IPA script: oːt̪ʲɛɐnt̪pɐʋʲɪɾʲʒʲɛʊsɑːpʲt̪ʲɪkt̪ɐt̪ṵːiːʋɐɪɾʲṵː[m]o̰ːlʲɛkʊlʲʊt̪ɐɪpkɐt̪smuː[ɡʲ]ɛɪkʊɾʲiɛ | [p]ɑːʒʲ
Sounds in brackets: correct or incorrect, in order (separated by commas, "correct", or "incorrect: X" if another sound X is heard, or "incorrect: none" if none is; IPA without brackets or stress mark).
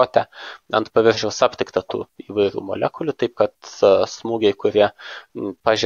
correct, correct, correct